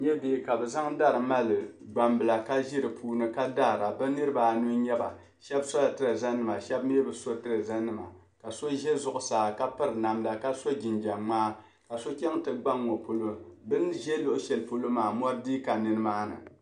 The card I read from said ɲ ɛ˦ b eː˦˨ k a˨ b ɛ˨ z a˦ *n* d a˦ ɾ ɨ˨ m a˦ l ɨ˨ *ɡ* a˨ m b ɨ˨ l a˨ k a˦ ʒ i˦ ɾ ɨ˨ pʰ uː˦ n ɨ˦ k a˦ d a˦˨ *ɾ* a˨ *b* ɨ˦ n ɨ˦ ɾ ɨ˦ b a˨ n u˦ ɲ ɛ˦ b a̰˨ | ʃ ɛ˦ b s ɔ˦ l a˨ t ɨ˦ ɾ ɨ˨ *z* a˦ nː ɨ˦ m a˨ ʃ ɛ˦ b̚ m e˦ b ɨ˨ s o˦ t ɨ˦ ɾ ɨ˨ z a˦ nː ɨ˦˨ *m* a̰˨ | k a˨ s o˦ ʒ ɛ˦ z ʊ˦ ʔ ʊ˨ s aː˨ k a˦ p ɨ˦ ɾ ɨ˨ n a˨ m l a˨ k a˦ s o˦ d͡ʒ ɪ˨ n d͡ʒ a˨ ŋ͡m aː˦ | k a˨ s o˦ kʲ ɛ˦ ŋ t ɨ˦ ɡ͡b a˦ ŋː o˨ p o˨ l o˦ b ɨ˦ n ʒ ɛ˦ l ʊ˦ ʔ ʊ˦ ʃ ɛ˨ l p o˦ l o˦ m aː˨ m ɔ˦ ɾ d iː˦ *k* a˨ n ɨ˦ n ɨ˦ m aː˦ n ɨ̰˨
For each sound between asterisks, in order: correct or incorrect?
incorrect, incorrect, correct, correct, correct, correct, correct

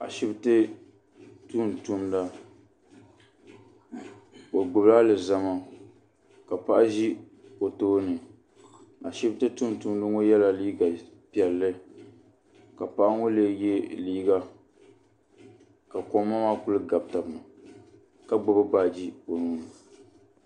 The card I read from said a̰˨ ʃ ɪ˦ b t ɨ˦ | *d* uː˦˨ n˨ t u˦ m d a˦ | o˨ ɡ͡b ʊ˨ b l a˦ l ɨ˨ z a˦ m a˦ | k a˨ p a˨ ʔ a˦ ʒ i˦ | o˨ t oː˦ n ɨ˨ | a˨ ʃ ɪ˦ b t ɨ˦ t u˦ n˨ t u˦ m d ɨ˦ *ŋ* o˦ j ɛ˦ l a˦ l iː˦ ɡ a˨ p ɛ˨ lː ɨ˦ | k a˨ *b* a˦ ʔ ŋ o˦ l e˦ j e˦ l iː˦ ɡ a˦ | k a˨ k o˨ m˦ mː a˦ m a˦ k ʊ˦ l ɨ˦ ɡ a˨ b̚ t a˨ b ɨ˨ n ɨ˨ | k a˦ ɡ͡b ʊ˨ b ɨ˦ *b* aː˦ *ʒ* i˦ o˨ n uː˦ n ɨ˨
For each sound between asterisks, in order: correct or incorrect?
incorrect, correct, incorrect, correct, incorrect

